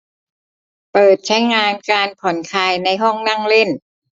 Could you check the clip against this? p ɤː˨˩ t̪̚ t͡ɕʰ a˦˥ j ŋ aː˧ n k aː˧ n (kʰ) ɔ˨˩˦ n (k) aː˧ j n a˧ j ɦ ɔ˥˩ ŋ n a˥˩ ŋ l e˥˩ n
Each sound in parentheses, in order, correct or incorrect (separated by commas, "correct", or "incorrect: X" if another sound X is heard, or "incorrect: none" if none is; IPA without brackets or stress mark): incorrect: pʰ, incorrect: kʰ